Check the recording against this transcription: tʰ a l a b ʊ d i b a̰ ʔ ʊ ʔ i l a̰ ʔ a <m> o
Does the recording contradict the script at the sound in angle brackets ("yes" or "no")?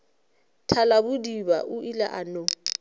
yes